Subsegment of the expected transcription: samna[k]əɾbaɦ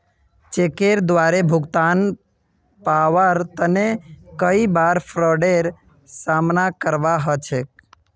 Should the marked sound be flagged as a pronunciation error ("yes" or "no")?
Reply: no